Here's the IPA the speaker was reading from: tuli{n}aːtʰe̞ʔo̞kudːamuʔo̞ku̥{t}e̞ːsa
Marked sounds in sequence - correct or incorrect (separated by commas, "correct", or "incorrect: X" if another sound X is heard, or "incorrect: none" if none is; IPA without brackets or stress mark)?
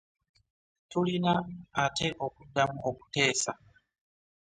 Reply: correct, correct